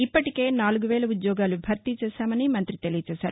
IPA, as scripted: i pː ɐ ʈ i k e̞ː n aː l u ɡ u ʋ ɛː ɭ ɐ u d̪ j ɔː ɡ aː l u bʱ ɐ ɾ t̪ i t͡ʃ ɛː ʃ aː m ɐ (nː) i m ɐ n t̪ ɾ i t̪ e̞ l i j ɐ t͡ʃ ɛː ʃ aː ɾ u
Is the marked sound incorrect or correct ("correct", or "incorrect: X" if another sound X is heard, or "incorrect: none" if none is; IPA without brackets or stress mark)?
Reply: incorrect: n